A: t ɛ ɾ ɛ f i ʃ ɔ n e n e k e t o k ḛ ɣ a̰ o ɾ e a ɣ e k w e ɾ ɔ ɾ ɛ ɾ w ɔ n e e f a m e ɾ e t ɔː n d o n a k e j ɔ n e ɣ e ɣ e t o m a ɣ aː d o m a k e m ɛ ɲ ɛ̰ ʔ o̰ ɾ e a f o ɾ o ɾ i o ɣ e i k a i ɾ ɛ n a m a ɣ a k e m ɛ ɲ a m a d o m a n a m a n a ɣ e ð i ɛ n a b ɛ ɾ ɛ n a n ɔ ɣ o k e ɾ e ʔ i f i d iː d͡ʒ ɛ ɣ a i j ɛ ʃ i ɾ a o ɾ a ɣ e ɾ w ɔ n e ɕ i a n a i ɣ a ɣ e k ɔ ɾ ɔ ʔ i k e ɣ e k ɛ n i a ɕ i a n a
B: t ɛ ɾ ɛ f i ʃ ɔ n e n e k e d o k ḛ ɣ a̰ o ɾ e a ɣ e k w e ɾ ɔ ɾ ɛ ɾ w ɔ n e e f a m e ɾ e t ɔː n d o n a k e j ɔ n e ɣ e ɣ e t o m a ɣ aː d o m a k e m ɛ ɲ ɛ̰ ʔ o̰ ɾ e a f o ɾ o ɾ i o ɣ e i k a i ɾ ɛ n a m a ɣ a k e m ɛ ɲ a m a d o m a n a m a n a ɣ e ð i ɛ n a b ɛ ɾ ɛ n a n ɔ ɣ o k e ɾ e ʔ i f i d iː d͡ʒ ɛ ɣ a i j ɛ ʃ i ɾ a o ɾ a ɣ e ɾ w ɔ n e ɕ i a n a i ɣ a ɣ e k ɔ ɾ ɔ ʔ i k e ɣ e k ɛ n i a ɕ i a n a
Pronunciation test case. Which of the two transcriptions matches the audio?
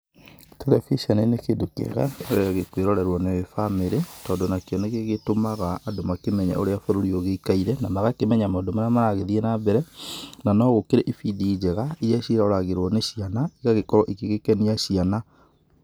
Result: B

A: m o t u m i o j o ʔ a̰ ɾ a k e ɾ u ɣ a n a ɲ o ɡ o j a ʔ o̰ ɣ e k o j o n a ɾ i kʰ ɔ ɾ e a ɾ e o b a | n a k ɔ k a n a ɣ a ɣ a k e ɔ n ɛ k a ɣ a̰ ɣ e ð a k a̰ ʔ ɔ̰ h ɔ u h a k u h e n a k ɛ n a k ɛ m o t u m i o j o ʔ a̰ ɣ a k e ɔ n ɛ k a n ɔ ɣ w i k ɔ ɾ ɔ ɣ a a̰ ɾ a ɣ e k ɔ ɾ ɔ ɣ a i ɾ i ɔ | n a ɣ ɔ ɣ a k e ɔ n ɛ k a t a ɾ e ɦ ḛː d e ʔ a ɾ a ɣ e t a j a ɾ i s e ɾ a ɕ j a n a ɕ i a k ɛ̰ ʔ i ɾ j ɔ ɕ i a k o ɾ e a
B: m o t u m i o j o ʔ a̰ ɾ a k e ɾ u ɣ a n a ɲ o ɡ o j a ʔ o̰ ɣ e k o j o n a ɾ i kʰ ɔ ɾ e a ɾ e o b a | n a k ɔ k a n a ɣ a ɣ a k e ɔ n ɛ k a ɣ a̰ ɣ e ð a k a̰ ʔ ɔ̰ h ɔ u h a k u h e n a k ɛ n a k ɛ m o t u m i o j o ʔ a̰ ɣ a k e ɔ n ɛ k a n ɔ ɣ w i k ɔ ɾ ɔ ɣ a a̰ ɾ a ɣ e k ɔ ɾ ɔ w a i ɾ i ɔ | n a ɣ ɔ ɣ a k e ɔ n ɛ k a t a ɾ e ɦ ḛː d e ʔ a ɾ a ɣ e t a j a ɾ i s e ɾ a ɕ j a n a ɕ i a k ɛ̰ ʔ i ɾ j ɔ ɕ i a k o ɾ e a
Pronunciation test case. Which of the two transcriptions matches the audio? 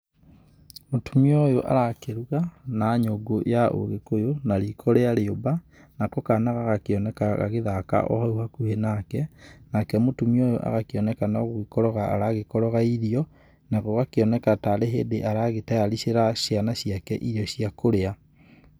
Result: A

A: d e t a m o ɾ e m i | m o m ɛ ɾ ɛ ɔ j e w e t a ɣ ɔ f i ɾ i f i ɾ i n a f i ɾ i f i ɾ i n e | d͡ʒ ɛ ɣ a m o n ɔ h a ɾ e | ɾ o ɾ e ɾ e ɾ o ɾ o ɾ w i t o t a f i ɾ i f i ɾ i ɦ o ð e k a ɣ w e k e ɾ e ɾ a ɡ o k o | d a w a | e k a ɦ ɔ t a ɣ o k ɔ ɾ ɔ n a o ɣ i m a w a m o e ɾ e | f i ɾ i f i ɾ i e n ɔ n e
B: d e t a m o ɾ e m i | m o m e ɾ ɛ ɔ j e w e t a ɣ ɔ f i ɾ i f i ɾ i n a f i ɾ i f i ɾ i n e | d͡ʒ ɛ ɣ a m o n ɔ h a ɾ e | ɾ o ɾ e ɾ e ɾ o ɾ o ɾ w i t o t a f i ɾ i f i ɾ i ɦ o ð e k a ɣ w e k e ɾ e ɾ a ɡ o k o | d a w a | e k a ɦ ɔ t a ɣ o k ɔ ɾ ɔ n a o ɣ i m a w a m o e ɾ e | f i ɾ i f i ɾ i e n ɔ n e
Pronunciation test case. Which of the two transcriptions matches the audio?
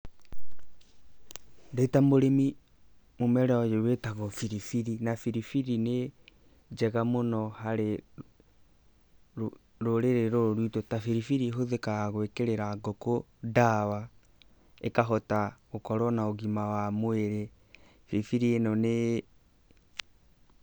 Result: A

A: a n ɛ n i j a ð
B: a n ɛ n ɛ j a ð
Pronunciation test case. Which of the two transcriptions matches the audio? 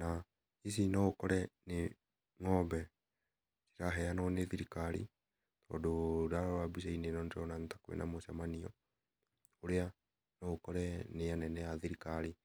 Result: B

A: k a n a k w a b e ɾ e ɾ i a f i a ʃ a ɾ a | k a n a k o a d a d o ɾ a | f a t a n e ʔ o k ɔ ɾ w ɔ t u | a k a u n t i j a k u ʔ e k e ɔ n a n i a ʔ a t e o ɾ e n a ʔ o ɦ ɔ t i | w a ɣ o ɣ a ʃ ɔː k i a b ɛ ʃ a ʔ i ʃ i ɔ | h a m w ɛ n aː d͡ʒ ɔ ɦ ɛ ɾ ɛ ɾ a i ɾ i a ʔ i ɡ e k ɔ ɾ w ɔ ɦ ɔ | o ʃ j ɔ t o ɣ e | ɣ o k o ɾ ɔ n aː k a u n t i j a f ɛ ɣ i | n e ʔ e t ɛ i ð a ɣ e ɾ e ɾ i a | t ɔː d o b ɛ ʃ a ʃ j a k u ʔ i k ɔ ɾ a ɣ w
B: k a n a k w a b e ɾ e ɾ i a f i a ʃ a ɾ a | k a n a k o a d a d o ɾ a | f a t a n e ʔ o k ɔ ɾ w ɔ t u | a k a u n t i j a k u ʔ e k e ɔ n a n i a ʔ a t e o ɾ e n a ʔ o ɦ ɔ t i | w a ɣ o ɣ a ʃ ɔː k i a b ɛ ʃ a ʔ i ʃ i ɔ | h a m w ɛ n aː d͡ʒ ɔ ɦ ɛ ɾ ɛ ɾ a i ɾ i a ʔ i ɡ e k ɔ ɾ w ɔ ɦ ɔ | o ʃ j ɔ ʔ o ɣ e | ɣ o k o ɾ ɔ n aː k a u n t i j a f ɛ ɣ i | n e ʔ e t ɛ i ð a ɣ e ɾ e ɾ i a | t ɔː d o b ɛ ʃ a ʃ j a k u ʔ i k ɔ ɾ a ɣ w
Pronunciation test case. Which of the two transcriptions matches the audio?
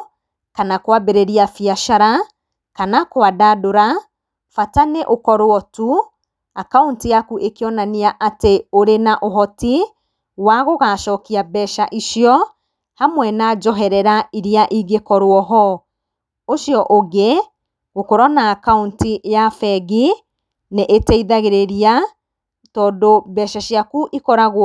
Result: B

